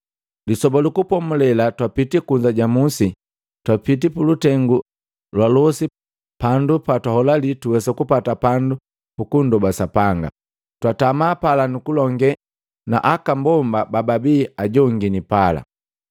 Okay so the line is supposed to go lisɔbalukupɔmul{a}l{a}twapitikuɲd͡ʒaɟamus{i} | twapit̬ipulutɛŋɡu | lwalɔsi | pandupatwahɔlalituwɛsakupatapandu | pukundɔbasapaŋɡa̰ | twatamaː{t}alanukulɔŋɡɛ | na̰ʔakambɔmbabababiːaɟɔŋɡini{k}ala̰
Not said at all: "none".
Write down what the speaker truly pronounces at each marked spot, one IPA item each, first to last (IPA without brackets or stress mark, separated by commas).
ɛ, a, i, p, p